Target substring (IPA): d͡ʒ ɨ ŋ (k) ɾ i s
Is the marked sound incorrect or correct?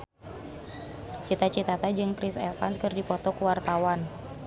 incorrect